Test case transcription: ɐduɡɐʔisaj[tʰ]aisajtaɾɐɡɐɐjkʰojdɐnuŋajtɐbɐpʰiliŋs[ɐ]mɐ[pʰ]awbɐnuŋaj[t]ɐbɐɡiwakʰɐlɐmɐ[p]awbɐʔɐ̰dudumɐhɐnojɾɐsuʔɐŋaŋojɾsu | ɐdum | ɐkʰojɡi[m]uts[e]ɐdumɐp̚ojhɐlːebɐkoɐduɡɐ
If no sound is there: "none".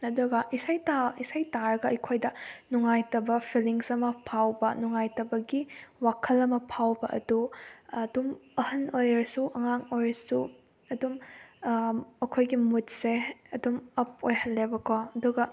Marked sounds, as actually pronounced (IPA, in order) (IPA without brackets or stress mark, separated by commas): t, ɐ, pʰ, t, pʰ, m, e